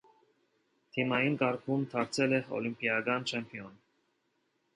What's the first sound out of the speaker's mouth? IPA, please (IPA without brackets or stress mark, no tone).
t̪ʰ